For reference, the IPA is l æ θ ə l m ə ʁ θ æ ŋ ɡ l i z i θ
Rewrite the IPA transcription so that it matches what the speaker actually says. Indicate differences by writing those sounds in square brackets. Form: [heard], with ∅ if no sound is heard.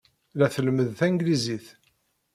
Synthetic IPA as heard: l æ θ ə l m ə [ð] θ æ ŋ ɡ l i z i θ